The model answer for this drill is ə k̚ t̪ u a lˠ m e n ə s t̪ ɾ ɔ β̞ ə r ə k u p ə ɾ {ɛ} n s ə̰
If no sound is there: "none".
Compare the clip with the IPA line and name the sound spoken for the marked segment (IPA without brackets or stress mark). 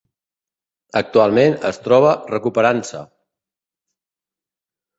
a